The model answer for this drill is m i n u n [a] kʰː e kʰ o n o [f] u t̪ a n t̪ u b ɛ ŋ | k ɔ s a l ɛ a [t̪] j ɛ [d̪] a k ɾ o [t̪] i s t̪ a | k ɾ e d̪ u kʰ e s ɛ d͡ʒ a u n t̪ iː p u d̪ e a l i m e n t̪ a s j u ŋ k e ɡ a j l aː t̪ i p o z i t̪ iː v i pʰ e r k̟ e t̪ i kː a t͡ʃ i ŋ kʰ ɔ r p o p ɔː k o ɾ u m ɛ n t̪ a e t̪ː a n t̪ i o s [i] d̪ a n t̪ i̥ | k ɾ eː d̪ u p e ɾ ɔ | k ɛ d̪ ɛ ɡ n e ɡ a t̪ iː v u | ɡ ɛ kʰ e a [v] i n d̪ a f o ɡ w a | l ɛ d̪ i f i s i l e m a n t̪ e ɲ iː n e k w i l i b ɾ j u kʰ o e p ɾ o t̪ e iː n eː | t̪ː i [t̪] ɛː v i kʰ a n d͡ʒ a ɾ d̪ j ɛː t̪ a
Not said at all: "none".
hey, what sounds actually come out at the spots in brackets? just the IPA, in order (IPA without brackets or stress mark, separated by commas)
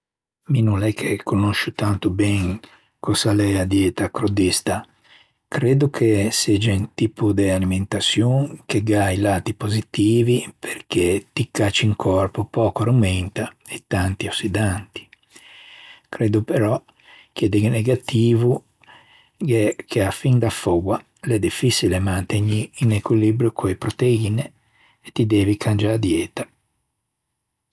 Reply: ɛ, ʃ, d̪, t̪, d̪, i, f, d̪